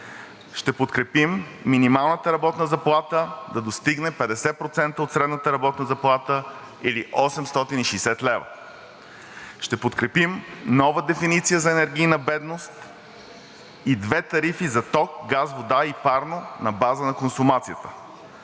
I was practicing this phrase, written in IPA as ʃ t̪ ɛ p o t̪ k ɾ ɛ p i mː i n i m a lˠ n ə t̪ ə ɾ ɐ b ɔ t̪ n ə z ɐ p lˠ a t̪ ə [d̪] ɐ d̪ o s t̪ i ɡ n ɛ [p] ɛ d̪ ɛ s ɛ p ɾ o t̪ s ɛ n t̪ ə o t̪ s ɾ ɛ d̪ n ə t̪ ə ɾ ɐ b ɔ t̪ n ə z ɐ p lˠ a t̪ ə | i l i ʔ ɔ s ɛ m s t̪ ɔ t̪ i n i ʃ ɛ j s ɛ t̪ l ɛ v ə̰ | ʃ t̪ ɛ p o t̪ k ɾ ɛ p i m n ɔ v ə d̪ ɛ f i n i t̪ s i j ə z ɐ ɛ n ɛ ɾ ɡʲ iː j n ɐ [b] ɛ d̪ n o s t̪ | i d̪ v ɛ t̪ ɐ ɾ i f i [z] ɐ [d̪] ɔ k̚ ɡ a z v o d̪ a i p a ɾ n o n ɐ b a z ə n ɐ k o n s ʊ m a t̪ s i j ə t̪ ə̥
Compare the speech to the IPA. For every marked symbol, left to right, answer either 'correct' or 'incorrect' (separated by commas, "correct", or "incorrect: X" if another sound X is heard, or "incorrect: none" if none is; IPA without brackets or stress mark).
correct, correct, correct, correct, incorrect: t̪